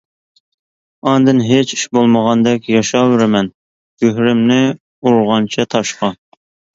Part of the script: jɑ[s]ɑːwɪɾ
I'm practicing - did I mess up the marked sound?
yes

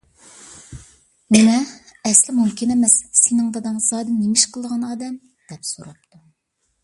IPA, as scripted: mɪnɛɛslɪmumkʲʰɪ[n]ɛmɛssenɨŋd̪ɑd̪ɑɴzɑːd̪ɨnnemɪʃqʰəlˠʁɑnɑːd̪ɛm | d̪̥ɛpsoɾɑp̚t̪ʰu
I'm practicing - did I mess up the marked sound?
no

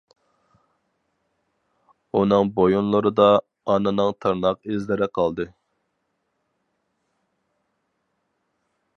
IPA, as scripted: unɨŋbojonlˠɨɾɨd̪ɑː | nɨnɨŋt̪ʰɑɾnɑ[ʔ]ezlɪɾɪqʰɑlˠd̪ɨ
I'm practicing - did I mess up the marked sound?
yes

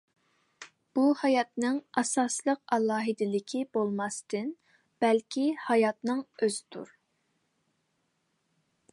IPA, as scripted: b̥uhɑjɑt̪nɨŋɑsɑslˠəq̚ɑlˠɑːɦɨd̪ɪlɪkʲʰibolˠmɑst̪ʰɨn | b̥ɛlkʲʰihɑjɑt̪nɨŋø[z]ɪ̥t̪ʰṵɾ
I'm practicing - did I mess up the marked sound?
no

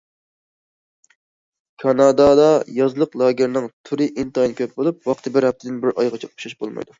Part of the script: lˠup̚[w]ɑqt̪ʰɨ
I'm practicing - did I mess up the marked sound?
no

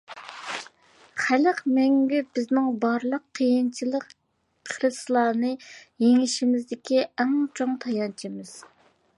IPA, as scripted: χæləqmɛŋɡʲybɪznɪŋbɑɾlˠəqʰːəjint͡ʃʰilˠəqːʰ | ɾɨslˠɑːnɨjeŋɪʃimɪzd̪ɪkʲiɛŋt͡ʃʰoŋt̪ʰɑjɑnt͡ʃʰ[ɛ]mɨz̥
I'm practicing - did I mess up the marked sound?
yes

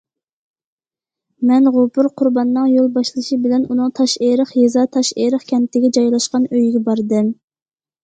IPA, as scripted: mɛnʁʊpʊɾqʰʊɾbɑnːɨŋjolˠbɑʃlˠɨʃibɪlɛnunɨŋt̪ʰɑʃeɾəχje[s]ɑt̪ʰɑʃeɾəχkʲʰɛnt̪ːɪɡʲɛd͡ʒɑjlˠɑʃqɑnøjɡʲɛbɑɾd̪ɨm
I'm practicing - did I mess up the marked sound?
yes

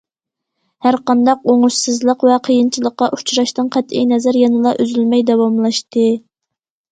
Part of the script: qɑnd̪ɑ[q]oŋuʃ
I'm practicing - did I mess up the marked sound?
no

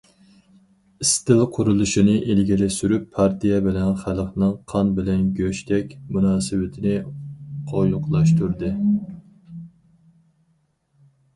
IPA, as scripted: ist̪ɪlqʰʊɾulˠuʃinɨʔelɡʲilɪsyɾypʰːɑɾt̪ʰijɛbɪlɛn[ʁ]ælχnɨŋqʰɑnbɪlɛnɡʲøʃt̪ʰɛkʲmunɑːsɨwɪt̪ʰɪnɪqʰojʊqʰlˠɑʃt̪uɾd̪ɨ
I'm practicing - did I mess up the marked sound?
yes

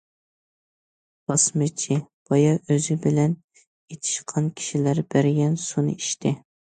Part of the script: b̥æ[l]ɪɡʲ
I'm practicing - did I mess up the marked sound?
yes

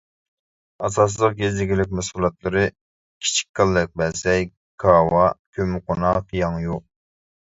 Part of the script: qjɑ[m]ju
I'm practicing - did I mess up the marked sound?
yes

